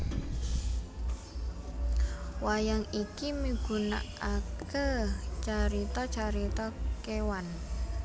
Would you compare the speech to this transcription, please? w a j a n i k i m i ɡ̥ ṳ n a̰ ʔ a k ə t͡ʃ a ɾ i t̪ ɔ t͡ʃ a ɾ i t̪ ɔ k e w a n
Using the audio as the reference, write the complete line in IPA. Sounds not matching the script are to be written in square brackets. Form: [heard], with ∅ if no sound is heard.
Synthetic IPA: w a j a [ŋ] i k i m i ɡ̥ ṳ n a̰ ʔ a k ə t͡ʃ a ɾ i t̪ ɔ t͡ʃ a ɾ i t̪ ɔ k e w a n